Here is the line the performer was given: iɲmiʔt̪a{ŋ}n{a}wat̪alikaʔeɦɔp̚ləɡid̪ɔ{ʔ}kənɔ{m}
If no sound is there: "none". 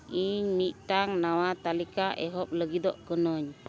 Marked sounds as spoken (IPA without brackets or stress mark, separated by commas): ŋ, a, ʔ, ɲ